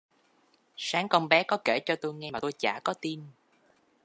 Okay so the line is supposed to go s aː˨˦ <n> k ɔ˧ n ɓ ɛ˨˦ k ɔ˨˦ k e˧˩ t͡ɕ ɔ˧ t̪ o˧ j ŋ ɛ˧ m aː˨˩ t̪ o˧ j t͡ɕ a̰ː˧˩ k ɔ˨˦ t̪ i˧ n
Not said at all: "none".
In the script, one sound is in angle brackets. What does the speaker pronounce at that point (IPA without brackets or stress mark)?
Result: ŋ